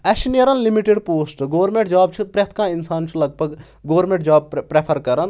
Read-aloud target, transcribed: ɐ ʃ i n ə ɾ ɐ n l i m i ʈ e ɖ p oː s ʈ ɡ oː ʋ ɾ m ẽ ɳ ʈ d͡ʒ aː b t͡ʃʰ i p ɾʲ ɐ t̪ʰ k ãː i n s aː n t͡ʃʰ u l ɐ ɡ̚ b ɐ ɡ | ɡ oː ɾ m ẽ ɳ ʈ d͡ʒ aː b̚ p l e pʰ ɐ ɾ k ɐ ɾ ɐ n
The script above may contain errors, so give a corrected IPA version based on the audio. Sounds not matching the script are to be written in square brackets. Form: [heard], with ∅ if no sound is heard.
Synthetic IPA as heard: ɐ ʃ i n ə ɾ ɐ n l i m i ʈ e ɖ p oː s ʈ ɡ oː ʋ ɾ m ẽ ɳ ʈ d͡ʒ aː b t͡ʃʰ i p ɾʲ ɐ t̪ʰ k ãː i n s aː n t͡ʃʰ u l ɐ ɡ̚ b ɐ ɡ | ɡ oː ɾ m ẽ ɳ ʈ d͡ʒ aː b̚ p [ɾ] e pʰ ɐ ɾ k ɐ ɾ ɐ n